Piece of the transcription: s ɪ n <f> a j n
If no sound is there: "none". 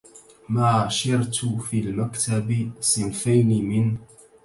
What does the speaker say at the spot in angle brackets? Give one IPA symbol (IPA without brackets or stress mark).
f